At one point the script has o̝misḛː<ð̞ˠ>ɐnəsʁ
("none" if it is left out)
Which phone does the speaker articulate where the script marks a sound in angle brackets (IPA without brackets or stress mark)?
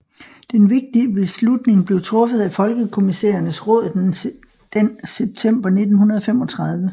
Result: none